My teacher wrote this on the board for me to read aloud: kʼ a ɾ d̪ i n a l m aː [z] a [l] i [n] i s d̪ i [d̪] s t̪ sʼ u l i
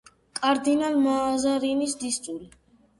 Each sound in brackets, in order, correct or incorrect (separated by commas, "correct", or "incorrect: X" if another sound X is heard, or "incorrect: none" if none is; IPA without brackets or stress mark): correct, incorrect: ɾ, correct, incorrect: none